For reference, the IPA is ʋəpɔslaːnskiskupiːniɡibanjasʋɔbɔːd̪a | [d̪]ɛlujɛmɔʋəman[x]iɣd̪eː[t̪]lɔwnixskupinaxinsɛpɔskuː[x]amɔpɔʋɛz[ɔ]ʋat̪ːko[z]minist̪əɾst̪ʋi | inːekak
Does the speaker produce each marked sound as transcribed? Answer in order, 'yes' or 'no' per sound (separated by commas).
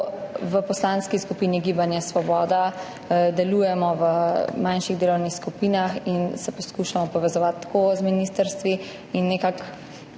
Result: yes, no, no, no, yes, yes